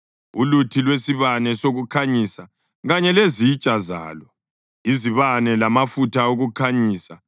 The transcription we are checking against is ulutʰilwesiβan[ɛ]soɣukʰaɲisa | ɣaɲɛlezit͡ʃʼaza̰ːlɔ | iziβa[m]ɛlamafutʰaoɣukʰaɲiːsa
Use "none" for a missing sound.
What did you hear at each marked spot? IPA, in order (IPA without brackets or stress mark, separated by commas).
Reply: ɛ, n